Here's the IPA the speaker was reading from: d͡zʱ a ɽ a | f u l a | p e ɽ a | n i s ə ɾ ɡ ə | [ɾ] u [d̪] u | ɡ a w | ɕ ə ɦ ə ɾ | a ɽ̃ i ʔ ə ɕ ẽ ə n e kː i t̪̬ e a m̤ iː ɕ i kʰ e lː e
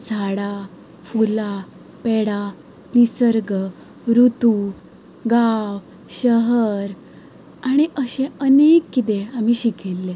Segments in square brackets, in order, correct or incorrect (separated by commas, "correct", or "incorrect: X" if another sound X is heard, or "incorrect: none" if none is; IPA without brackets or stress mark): correct, incorrect: t̪